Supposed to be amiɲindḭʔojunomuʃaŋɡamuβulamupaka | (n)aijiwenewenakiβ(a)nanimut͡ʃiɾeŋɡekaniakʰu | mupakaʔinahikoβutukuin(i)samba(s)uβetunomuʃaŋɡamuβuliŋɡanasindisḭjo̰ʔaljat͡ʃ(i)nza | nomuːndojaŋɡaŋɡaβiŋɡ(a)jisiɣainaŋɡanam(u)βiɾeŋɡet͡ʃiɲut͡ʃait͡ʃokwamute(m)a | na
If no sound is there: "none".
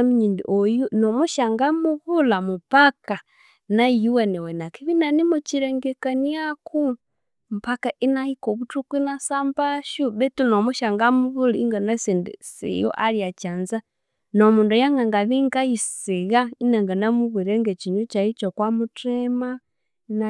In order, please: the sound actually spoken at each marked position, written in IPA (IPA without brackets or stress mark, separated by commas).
n, i, a, ʃ, a, a, u, m